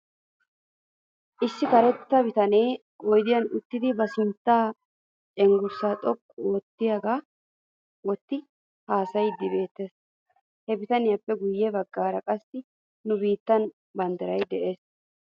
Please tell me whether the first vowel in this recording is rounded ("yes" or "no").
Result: no